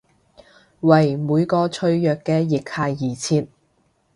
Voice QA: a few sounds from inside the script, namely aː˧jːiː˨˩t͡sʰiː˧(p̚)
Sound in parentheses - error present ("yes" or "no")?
yes